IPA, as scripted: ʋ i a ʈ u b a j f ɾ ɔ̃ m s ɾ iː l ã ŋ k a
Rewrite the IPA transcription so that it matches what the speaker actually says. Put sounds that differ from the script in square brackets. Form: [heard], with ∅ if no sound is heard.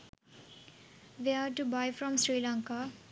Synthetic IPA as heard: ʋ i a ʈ u b a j f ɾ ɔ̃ m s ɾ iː l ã ŋ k a